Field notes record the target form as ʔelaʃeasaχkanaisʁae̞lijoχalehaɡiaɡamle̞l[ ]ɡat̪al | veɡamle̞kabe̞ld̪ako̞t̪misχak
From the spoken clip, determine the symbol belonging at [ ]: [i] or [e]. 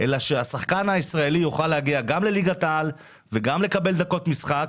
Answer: i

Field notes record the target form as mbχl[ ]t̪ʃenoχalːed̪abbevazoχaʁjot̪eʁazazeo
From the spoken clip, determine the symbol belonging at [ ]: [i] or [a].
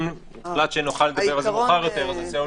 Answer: a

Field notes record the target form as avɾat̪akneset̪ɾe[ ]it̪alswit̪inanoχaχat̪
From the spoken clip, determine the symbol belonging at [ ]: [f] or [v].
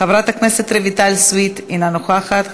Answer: v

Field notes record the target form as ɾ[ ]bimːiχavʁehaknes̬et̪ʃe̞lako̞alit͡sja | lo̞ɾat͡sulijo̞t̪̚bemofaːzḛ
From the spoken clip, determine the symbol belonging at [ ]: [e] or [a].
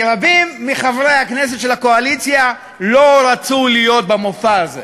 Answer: a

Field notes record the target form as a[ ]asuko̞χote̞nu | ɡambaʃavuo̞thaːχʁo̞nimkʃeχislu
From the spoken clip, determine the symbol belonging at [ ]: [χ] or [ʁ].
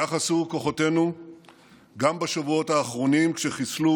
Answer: χ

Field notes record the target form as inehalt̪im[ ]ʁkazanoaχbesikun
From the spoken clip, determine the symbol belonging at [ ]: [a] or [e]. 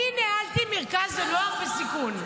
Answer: e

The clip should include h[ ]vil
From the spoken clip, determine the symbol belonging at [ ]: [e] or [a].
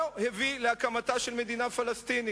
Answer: e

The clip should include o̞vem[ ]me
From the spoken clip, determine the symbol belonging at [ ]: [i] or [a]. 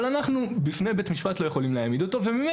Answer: i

